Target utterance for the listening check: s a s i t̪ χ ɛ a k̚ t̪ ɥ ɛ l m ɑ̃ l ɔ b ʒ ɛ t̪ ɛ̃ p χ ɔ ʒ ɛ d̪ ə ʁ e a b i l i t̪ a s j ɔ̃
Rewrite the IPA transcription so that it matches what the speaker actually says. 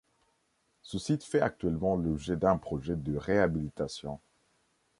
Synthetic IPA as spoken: s ə s i t̪ f ɛ a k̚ t̪ ɥ ɛ l m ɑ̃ l ɔ b ʒ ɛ d̪ ɛ̃ p χ ɔ ʒ ɛ d̪ ə ʁ e a b i l i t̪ a s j ɔ̃